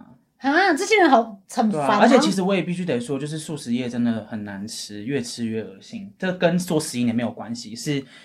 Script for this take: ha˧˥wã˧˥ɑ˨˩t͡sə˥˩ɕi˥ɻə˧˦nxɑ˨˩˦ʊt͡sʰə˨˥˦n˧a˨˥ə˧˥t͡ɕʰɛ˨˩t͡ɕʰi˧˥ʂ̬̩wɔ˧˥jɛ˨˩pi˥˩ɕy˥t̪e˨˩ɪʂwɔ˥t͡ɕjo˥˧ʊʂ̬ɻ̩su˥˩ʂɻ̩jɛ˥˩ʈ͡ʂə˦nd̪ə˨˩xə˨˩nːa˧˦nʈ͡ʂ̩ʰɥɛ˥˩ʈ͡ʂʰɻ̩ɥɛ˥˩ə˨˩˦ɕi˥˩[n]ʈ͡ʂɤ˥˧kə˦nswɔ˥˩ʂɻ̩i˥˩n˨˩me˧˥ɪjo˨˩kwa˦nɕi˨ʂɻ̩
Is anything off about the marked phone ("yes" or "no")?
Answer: yes